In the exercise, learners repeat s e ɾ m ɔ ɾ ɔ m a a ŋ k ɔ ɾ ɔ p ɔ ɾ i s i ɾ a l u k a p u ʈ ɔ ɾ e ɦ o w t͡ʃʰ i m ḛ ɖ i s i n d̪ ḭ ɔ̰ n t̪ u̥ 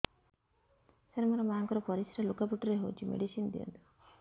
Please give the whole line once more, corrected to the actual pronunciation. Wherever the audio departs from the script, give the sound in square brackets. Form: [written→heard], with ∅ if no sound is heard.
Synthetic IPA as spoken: s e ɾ m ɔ ɾ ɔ m a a ŋ k ɔ ɾ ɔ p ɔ ɾ i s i ɾ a l u k a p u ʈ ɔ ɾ e ɦ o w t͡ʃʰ i m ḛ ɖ i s i n d̪ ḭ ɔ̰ n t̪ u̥